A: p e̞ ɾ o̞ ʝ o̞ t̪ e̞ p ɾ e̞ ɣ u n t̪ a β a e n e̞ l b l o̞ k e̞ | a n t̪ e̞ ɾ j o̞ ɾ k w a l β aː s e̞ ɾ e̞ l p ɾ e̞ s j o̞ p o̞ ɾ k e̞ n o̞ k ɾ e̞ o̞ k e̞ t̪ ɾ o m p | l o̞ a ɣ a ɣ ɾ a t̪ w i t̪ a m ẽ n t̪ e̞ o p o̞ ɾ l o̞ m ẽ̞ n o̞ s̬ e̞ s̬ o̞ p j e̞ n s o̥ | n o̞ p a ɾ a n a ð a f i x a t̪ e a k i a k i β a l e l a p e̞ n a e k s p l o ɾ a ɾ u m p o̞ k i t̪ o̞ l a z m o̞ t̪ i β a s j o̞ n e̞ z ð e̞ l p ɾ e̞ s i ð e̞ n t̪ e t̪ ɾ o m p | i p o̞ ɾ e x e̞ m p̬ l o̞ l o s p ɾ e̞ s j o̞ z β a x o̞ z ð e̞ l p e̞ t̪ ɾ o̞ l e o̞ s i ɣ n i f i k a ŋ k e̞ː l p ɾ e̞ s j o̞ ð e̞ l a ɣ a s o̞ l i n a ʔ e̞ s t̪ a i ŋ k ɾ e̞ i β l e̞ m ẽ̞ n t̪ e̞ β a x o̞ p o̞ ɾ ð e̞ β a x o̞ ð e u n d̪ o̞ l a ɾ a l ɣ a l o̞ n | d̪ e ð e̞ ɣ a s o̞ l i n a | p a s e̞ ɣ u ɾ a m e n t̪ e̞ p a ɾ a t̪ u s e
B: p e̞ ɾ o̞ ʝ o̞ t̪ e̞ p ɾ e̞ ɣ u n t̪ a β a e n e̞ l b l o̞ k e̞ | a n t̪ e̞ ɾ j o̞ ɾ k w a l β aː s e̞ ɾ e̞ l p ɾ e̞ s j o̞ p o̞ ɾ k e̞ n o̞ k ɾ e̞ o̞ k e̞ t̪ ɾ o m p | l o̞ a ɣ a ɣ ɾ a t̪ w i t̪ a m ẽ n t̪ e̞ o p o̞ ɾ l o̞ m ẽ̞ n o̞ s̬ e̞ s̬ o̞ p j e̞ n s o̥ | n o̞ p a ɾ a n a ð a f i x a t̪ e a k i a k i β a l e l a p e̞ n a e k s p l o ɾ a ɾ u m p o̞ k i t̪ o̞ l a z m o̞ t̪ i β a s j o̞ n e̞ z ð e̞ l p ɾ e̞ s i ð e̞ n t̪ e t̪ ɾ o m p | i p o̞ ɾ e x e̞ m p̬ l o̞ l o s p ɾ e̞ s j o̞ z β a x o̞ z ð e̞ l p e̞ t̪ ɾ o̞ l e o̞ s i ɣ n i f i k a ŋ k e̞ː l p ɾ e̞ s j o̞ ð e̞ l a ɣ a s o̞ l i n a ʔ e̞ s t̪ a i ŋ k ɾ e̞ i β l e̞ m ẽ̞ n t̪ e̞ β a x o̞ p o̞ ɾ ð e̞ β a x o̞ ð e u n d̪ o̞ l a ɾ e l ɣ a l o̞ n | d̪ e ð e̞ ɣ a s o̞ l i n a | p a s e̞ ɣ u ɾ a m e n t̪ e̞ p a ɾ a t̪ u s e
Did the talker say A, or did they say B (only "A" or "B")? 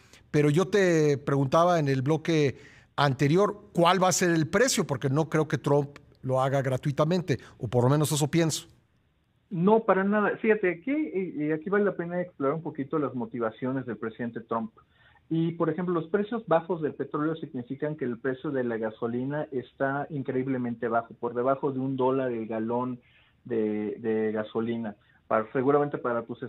B